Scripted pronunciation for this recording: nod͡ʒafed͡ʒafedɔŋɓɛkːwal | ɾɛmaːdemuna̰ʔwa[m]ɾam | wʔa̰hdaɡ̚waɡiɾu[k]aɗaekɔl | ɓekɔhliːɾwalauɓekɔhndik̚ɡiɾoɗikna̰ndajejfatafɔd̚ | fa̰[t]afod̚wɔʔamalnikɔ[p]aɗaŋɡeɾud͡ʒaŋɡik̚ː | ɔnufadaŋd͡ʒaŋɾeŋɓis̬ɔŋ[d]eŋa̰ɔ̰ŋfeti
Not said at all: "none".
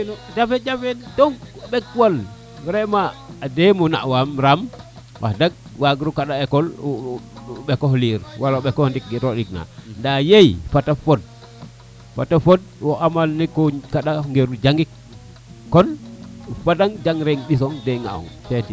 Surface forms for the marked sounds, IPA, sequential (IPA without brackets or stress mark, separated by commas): m, k, t, k, d